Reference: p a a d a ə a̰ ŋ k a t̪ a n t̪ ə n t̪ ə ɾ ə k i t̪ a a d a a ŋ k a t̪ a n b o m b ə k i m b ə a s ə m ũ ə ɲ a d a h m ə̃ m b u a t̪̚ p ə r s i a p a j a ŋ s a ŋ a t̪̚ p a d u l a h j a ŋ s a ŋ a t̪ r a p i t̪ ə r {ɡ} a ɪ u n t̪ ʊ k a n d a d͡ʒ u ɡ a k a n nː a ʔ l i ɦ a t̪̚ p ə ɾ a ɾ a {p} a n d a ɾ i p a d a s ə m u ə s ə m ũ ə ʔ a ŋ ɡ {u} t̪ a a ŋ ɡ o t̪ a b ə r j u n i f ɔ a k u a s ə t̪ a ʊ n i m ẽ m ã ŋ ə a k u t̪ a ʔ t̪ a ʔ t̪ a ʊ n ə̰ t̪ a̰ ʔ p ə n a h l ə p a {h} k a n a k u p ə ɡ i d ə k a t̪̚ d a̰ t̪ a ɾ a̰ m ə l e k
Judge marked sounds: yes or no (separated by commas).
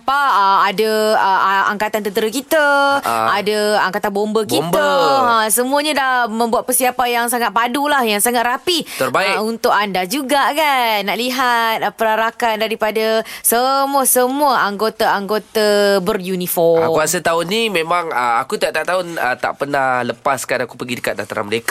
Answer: no, no, no, no